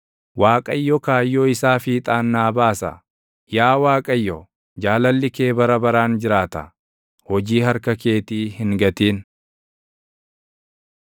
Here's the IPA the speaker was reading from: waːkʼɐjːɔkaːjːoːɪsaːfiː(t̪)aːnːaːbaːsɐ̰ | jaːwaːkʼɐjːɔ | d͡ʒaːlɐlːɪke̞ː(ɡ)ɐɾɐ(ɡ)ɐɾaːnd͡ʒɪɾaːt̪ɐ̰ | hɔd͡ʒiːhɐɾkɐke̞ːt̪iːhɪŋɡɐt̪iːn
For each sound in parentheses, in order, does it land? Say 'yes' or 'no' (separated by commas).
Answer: no, no, no